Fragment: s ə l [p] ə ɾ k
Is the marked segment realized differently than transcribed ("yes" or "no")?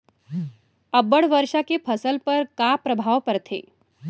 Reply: no